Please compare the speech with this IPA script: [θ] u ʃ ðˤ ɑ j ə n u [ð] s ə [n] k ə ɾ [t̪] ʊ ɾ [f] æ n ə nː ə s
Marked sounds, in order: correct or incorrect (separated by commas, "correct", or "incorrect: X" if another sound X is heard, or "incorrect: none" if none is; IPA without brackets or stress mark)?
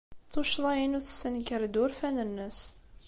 correct, incorrect: θ, correct, incorrect: d̪, correct